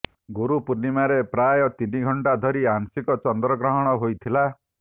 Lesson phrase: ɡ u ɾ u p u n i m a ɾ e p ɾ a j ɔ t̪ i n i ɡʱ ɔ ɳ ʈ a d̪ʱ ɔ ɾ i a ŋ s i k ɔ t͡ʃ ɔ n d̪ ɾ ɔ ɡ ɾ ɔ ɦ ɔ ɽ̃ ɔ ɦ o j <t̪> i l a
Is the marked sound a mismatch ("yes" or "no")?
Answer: yes